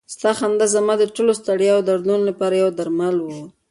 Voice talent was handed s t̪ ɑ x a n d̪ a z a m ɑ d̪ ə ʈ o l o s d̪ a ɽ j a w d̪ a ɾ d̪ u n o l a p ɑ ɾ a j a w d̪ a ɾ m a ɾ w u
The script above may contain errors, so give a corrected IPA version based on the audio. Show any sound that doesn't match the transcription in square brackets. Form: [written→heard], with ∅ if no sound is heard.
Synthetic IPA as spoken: s t̪ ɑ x a n d̪ a z a m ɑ d̪ ə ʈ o l o s [d̪→t̪] a ɽ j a w d̪ a ɾ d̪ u n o l a p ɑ ɾ a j a w d̪ a ɾ m a [ɾ→l] w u